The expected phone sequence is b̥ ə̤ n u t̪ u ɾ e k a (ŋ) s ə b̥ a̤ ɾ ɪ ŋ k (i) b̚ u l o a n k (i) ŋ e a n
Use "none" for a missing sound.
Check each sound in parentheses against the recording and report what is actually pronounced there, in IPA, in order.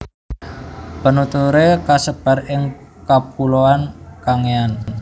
none, a, a

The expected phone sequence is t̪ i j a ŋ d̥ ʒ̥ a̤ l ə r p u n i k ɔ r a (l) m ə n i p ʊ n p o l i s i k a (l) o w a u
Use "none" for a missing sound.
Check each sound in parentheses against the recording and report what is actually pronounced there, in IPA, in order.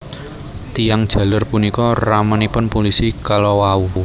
none, l

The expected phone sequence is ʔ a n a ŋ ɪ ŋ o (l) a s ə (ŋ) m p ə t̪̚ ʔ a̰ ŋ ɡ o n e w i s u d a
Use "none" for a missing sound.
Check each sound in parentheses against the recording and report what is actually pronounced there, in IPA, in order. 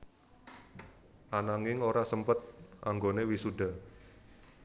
ɾ, none

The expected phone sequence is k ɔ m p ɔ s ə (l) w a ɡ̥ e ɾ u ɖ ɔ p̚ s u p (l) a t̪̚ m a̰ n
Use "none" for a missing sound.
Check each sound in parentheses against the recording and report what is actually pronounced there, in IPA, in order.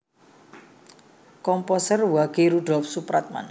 r, ɾ

